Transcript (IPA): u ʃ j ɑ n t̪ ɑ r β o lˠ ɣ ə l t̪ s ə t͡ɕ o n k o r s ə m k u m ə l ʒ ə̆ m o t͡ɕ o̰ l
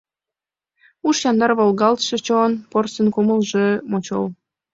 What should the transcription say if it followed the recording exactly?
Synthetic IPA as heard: u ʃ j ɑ n d̪ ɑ r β o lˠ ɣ ɑ l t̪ ʃ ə t͡ɕ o n p o r s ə n k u m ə l ʒ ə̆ m o t͡ɕ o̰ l

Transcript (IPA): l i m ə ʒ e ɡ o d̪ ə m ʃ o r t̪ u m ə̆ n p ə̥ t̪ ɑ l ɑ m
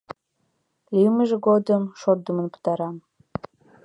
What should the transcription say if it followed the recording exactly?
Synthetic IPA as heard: l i m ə ʒ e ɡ o d̪ ə m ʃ o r d̪ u m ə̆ n p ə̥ t̪ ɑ ɾ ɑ m

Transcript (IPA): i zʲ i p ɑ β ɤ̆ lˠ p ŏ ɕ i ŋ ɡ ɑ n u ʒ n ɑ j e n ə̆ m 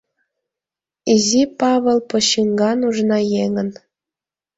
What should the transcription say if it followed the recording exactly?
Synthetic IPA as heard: i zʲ i p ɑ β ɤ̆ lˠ p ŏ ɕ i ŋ ɡ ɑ n u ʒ n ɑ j e ŋ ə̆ n

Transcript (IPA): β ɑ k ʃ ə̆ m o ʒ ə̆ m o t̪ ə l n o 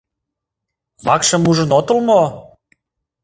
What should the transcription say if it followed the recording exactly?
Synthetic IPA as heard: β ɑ k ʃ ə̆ m u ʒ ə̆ n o t̪ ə l m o

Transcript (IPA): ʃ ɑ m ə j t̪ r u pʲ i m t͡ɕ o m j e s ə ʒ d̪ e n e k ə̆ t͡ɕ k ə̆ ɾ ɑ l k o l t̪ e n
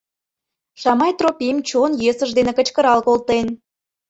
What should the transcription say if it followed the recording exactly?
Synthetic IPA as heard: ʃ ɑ m ɑ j t̪ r o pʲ i m t͡ɕ o n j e s ə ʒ d̪ e n e k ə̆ t͡ɕ k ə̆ ɾ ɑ l k o l t̪ e n

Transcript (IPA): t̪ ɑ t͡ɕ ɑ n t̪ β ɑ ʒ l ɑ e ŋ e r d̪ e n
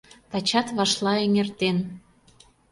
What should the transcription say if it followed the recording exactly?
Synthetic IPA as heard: t̪ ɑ t͡ɕ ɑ t̪ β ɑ ʃ l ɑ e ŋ e r t̪ e n

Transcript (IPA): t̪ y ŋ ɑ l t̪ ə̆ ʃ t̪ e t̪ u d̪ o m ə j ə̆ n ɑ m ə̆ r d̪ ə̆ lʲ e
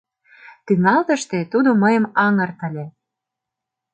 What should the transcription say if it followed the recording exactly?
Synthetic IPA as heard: t̪ y ŋ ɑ l t̪ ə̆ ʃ t̪ e t̪ u d̪ o m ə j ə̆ m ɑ ŋ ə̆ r t̪ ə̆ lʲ e

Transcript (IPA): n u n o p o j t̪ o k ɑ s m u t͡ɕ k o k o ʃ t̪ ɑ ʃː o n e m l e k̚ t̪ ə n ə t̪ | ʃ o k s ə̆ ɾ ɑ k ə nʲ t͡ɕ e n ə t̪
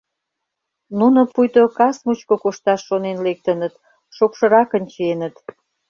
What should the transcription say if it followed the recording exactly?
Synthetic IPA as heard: n u n o p u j t̪ o k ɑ s m u t͡ɕ k o k o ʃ t̪ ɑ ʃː o n e n l e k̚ t̪ ə n ə t̪ | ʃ o k ʃ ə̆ ɾ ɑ k ə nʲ t͡ɕ e n ə t̪

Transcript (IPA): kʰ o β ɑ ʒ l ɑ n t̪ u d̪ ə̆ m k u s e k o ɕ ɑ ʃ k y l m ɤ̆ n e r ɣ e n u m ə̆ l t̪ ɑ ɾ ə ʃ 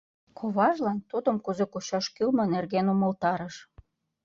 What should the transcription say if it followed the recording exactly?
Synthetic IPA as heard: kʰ o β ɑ ʒ l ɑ n t̪ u d̪ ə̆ m k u z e k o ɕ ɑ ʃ k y l m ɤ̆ n e r ɣ e n u m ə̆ l t̪ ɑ ɾ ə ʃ

